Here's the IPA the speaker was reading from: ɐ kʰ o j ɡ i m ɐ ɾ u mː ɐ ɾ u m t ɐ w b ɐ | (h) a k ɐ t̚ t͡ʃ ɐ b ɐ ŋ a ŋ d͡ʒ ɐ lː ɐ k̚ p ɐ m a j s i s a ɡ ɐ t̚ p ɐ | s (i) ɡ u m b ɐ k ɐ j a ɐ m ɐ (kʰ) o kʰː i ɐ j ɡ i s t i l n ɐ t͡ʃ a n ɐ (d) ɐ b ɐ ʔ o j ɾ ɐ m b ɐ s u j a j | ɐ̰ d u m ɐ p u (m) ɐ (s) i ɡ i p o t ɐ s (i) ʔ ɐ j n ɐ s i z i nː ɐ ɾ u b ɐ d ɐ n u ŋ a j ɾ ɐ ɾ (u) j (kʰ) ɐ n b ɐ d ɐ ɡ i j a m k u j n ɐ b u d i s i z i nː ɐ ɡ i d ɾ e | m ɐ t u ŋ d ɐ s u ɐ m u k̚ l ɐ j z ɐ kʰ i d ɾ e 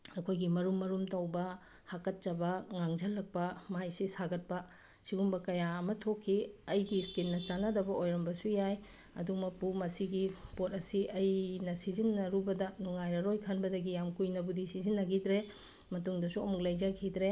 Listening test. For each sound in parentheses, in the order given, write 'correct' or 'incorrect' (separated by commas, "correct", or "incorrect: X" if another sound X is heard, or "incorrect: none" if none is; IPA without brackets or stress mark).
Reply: correct, correct, incorrect: tʰ, correct, correct, correct, correct, incorrect: o, correct